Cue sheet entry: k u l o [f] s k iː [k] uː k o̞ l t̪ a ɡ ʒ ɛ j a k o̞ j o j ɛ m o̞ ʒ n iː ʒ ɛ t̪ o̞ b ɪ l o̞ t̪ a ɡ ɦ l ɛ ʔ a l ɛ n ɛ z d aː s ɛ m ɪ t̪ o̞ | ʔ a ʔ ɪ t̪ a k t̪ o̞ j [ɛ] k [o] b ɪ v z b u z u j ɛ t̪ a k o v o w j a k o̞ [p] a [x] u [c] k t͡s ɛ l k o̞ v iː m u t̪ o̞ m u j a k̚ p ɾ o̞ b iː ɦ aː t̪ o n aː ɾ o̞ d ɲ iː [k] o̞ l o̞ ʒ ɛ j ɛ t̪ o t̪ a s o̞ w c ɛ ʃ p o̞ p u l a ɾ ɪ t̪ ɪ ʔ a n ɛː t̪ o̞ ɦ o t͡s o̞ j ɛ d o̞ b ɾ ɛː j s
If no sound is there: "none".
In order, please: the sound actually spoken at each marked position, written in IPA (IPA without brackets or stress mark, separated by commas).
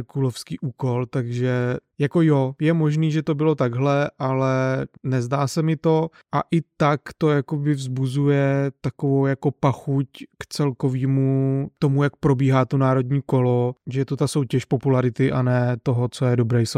f, ʔ, a, o, p, x, c, k